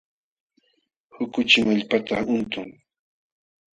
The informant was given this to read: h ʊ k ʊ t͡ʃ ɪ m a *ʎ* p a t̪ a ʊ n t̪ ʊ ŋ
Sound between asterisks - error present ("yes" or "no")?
no